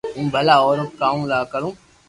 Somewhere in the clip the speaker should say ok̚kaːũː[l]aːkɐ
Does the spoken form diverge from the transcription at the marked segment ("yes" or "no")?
no